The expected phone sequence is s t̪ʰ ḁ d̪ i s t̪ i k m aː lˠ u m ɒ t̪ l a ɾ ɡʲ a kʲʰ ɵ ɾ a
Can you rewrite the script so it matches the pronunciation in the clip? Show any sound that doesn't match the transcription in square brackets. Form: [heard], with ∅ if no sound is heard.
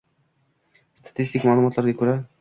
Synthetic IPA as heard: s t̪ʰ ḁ [t̪] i s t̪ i k m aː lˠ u m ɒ t̪ l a ɾ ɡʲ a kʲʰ ɵ ɾ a